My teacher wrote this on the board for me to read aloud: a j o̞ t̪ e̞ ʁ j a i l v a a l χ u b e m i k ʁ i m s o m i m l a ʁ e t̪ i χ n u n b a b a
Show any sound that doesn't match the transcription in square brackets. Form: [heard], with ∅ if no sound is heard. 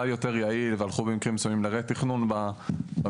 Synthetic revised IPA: a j o̞ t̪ e̞ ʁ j a i l v [e] a l χ u b e m i k ʁ i m s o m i m l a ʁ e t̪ i χ n u n b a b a